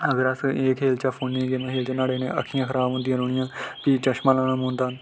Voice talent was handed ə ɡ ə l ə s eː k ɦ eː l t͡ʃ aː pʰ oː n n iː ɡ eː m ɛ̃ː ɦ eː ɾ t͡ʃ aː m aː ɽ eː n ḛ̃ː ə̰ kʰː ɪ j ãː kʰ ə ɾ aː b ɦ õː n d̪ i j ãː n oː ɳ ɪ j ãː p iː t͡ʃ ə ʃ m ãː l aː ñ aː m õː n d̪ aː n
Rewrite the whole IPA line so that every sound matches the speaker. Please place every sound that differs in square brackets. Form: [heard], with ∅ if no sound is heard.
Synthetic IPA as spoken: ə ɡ ə [ɾ] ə s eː k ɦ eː l t͡ʃ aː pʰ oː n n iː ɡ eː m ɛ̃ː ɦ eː [l] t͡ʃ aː [n] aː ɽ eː n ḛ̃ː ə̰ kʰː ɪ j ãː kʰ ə ɾ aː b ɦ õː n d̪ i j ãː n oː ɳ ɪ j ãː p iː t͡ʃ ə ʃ m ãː l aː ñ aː m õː n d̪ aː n